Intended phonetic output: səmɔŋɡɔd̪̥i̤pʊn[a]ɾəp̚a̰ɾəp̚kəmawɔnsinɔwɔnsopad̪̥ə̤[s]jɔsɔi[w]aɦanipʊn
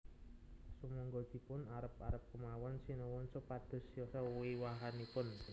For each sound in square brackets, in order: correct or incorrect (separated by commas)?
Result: correct, correct, correct